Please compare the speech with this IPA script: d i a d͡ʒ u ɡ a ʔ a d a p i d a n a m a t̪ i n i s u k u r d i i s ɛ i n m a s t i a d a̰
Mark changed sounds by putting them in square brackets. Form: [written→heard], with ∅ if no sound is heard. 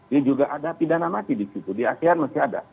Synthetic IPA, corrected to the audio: d i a d͡ʒ u ɡ a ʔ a d a p i d a n a m a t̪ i [n→d] i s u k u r d i [i→a] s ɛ [i→a] n m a s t i a d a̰